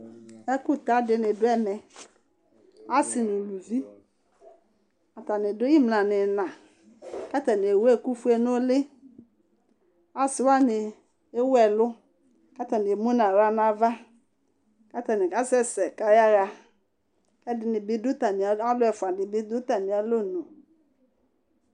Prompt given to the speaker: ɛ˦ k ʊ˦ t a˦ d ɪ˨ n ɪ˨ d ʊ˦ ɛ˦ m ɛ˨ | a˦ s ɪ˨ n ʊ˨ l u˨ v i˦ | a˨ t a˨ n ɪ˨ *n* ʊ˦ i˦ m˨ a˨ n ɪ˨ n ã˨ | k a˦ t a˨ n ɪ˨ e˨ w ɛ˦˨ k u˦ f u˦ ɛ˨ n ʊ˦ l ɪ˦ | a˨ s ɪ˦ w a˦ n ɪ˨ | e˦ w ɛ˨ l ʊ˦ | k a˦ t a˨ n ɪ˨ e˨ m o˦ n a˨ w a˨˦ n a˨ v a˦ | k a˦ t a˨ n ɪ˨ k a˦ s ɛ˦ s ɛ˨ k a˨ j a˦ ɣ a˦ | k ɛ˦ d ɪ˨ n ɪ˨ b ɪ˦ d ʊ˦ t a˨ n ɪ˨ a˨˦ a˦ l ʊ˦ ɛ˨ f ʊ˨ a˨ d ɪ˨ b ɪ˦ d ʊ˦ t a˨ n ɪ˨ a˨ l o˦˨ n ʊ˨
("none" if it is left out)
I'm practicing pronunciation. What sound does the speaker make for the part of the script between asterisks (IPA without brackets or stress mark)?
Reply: d